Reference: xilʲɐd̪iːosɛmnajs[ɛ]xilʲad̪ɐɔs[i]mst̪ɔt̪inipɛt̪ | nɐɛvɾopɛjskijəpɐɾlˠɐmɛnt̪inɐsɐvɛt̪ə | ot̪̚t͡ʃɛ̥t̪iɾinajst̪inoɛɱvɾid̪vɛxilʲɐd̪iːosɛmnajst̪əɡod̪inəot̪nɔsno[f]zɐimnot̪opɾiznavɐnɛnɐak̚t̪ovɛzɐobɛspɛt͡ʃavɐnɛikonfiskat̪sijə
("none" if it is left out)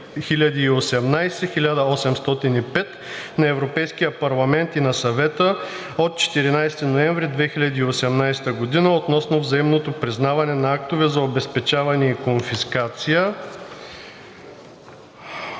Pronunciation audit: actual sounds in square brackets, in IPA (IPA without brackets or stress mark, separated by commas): ɛ, ɛ, v